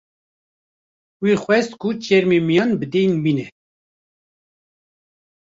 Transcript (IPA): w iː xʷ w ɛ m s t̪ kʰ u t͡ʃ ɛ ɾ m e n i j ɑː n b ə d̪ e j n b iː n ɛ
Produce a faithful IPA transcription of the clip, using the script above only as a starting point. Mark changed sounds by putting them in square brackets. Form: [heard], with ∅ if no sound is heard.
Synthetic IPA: w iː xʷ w ɛ [∅] s t̪ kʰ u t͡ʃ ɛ ɾ m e [m] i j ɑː n b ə d̪ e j n b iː n ɛ